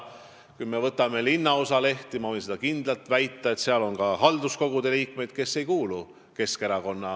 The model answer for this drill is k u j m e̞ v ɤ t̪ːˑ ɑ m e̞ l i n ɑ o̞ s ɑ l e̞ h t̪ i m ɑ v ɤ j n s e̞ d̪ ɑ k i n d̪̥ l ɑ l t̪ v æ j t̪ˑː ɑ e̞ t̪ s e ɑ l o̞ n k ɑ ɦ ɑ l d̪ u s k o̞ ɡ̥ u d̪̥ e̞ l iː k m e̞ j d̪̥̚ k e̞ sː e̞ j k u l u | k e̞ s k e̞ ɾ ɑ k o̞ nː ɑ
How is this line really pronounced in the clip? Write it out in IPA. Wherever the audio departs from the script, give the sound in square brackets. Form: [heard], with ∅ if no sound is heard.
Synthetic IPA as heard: k u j m e̞ v ɤ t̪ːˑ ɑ m e̞ l i [nː] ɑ o̞ s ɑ l e̞ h t̪ i m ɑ v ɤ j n s e̞ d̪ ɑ k i n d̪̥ l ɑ l t̪ v æ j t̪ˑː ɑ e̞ t̪ s e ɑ l o̞ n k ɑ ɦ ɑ l d̪ u s k o̞ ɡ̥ u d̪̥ e̞ l iː k m e̞ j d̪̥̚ k e̞ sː e̞ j k [uː] l u | k e̞ s k e̞ ɾ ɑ k o̞ nː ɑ